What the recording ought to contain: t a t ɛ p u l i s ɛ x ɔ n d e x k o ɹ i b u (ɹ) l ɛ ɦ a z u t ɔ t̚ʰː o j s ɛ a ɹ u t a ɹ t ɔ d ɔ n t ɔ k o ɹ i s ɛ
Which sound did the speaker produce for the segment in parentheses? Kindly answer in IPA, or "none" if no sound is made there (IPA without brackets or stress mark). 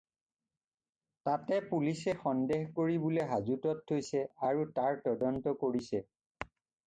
none